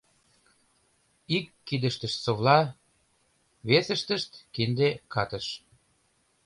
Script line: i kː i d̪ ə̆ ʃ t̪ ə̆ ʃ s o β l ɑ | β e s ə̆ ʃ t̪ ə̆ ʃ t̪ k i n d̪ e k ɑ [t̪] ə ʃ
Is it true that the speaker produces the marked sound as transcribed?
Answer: yes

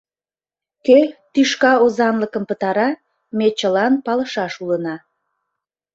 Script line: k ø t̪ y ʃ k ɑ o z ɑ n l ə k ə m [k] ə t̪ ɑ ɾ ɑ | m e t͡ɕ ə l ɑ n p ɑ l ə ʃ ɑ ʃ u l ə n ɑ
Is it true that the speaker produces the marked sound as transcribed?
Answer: no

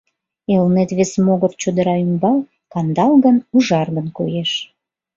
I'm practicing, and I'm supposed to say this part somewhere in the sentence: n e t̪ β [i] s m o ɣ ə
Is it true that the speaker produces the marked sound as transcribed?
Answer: no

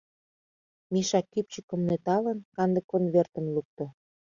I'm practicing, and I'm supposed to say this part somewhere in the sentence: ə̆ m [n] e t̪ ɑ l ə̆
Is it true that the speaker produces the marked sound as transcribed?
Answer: yes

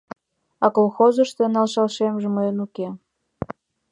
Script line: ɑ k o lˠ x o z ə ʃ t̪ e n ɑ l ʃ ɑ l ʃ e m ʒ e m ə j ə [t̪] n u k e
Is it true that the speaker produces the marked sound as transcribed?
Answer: no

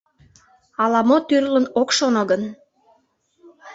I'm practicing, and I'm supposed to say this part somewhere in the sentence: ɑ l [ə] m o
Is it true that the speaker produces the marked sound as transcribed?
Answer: no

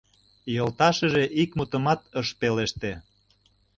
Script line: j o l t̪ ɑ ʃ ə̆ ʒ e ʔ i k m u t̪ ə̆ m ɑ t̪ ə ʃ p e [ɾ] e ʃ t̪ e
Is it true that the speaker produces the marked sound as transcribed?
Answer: no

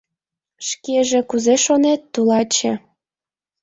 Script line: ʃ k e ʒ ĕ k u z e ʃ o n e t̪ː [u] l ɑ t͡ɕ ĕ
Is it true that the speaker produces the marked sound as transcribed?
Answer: yes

